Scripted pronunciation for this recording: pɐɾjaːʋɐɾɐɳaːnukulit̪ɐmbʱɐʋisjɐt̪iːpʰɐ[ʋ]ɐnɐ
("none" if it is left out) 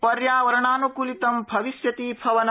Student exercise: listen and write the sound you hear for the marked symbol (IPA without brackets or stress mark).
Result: ʋ